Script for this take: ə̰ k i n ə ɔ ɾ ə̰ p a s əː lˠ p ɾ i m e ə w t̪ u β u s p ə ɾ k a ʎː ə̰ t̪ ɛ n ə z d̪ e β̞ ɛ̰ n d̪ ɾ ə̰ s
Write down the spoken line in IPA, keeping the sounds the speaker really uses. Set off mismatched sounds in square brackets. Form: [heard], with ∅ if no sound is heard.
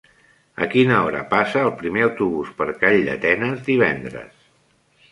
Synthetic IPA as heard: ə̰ k i n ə ɔ ɾ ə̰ p a s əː lˠ p ɾ i m e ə w t̪ u β u s p ə ɾ k a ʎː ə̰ t̪ ɛ n ə z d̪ [i] β̞ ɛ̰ n d̪ ɾ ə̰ s